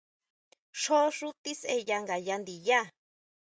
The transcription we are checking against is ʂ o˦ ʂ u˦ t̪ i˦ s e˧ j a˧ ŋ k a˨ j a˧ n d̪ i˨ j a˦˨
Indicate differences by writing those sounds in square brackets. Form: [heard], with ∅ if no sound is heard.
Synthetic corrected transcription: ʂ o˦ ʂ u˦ t̪ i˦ s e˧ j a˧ ŋ [ɡ] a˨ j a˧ n d̪ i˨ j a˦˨